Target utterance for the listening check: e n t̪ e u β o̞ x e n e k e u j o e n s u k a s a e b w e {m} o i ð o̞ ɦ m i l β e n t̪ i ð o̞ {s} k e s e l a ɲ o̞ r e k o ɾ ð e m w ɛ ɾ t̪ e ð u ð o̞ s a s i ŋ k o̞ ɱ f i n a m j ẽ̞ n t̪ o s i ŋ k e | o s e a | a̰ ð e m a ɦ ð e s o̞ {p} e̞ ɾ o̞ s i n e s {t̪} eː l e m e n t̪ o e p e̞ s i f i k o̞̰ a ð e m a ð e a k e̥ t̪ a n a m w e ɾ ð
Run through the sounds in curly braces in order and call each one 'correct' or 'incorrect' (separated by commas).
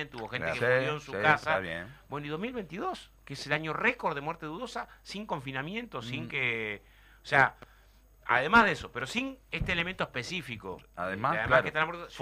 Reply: incorrect, correct, correct, correct